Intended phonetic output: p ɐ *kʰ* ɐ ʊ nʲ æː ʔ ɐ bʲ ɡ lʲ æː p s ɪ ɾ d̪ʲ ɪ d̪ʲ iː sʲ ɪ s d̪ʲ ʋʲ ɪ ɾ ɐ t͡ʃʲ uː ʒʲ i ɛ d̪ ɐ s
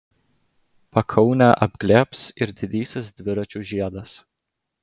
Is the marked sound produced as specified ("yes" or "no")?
yes